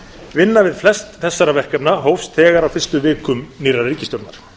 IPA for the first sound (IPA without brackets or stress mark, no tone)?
v